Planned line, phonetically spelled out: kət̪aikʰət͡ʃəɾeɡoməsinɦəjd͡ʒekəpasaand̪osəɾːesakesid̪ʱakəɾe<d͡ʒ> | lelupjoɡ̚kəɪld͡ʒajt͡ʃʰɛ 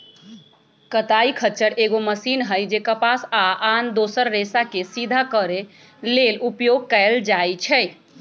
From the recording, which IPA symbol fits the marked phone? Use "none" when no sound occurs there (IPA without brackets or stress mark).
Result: none